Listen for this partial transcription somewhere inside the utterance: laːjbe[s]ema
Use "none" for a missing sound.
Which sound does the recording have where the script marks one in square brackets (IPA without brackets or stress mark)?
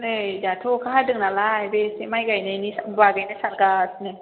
s